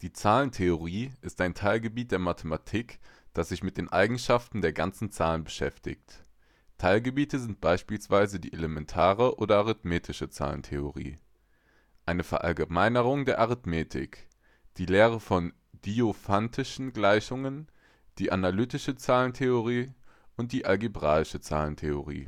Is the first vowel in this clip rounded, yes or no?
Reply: no